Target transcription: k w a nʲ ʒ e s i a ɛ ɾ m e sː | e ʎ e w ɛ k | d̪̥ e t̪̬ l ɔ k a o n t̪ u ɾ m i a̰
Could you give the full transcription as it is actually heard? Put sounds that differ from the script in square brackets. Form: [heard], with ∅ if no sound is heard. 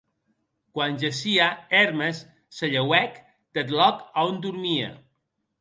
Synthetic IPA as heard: k w a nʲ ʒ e s i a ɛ ɾ m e sː | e ʎ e w ɛ k | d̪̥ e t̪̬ l ɔ k a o n [d̪] u ɾ m i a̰

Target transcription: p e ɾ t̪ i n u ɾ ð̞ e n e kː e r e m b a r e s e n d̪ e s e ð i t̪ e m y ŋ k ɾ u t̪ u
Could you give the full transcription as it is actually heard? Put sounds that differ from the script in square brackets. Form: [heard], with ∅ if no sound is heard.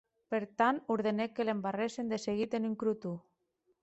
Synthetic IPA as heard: p e ɾ t̪ [a] n u ɾ ð̞ e n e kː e [l] e m b a r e s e n d̪ e s e [ɣ] i t̪ e [n] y ŋ k ɾ u t̪ u

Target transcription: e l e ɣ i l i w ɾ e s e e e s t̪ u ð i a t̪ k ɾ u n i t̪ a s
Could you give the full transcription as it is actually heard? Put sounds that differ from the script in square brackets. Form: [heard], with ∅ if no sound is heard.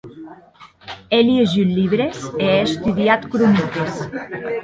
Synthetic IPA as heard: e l e [ʒ] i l i [β] ɾ e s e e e s t̪ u ð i a t̪ k ɾ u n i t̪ [e] s

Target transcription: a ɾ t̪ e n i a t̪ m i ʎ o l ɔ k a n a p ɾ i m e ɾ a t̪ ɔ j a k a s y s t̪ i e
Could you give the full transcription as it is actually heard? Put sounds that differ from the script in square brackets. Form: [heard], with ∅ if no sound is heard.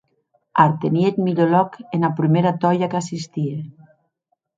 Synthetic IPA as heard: a ɾ t̪ e n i [e] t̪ m i ʎ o l ɔ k [e] n a p ɾ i m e ɾ a t̪ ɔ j a k a s [i] s t̪ i e

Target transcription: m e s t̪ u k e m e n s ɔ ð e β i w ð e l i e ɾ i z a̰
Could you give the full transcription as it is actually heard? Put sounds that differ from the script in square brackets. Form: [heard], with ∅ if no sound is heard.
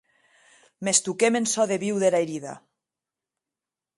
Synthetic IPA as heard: m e s t̪ u k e m e n s ɔ ð e β i w ð e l [a] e ɾ i [ð] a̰

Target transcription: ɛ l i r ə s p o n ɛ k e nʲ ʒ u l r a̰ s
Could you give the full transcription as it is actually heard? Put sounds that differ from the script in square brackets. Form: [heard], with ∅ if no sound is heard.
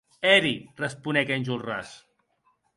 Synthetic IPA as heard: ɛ [ɾ] i r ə s p [u] n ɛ k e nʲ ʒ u l r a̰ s

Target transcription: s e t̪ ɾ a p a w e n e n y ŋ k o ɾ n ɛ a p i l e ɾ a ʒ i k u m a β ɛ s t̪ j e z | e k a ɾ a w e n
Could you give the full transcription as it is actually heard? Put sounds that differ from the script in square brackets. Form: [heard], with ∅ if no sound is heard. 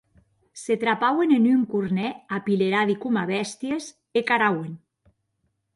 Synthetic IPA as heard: s e t̪ ɾ a p a w e n e n y ŋ k [u] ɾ n ɛ a p i l e ɾ a [ð] i k u m a β ɛ s t̪ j e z | e k a ɾ a w e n

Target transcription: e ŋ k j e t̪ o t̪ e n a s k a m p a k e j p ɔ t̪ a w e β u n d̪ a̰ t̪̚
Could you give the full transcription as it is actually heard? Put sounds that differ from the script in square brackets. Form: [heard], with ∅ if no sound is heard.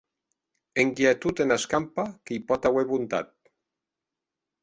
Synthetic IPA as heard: e ŋ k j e t̪ [u] t̪ e n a s k a m p a k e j p ɔ t̪ a w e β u n [t̪] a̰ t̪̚

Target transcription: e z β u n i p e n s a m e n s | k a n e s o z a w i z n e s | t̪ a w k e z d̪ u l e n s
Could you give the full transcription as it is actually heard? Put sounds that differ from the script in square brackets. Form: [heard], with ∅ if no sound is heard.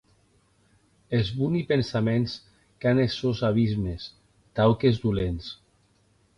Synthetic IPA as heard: e z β u n i p e n s a m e n s | k a n e s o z a [β] i z [m] e s | t̪ a w k e z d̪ u l e n s

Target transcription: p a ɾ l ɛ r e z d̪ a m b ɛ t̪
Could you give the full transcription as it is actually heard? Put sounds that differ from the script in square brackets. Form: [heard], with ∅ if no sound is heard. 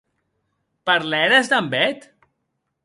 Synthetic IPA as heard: p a ɾ l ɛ [ɾ] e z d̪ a m b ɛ t̪

